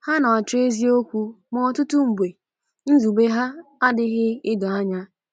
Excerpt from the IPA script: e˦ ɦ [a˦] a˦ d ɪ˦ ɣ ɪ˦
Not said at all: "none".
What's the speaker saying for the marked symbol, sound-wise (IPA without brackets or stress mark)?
a˦